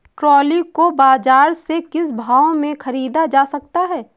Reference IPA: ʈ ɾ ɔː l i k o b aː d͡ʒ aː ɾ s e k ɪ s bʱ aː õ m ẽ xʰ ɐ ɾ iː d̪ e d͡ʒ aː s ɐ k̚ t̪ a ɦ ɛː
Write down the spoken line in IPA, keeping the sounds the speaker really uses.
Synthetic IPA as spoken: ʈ ɾ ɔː l i k o b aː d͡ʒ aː ɾ s e k ɪ s bʱ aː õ m ẽ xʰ ɐ ɾ iː d̪ a d͡ʒ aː s ɐ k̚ t̪ a ɦ ɛː